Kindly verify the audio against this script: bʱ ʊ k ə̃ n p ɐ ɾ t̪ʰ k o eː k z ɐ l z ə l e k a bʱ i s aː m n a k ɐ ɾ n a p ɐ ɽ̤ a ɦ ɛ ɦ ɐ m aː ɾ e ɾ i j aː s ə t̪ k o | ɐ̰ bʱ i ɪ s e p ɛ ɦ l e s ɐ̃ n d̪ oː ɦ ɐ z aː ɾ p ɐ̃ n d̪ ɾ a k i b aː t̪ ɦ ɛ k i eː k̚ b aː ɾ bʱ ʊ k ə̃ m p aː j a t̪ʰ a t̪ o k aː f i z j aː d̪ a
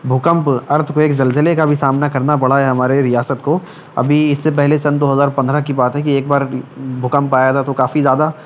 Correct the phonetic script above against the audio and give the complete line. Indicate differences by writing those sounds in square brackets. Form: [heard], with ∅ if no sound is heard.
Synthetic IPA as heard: bʱ ʊ k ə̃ [m] p ɐ ɾ t̪ʰ k o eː k z ɐ l z ə l e k a bʱ i s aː m n a k ɐ ɾ n a p ɐ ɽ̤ a ɦ ɛ ɦ ɐ m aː ɾ e ɾ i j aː s ə t̪ k o | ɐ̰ bʱ i ɪ [sː] e p ɛ ɦ l e s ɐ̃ n d̪ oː ɦ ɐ z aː ɾ p ɐ̃ n d̪ ɾ a k i b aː t̪ ɦ ɛ k i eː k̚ b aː ɾ bʱ ʊ k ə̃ m p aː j a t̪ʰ a t̪ o k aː f i z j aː d̪ a